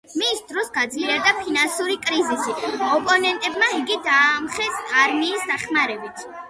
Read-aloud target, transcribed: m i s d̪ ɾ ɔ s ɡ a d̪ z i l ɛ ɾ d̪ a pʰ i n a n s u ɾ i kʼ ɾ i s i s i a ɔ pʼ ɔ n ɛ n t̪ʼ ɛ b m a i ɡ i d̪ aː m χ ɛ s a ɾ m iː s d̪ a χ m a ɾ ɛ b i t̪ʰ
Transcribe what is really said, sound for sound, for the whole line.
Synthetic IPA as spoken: m i s d̪ ɾ ɔ s ɡ a d̪ z i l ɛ ɾ d̪ a pʰ i n a n s u ɾ i kʼ ɾ i z i s i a ɔ pʼ ɔ n ɛ n t̪ʼ ɛ b m a i ɡ i d̪ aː m χ ɛ s a ɾ m iː s d̪ a χ m a ɾ ɛ b i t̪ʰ